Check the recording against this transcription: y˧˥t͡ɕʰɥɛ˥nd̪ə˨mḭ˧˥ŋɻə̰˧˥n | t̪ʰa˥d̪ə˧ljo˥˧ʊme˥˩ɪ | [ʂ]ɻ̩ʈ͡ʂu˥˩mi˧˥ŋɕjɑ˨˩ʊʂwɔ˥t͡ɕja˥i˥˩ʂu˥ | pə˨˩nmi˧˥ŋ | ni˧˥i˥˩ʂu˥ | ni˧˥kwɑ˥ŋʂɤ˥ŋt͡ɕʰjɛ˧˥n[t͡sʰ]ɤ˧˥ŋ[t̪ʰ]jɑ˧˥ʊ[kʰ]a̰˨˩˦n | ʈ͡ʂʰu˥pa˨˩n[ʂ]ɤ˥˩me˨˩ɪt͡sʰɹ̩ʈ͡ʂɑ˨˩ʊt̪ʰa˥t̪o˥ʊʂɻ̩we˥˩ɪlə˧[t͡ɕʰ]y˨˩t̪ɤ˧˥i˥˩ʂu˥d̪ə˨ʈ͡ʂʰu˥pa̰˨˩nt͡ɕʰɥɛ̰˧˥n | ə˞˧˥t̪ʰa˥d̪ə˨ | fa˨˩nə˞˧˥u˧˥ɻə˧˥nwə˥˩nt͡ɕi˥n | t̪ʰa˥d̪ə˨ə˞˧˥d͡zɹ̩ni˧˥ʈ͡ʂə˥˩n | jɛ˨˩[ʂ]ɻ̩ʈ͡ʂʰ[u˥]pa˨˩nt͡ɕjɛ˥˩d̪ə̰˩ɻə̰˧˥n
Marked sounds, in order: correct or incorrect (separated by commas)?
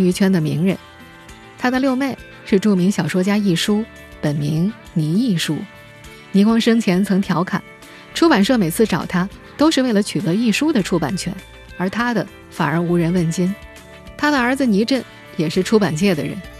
correct, correct, correct, correct, correct, correct, correct, correct